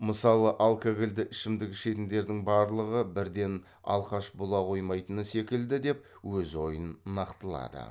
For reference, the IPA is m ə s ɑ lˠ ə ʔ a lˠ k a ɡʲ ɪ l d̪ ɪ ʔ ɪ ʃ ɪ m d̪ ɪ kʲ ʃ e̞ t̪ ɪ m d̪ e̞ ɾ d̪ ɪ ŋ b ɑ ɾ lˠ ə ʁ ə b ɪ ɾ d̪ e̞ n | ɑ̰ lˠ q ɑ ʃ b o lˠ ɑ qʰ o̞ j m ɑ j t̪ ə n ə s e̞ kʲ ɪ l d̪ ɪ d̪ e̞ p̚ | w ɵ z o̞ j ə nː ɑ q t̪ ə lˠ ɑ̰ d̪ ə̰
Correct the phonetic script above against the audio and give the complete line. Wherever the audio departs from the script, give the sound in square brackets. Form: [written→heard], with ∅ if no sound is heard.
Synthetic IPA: m ə s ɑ lˠ ə ʔ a lˠ k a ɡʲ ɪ l d̪ ɪ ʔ ɪ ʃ ɪ m d̪ ɪ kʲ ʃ e̞ t̪ ɪ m d̪ e̞ ɾ d̪ ɪ ŋ b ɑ ɾ lˠ ə ʁ ə b ɪ ɾ d̪ e̞ n | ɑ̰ lˠ q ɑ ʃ b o lˠ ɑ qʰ o̞ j m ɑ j t̪ ə n ə s e̞ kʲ ɪ l d̪ ɪ d̪ e̞ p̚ | w ɵ z o̞ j ə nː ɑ q t̪ ə lˠ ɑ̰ d̪ ə̰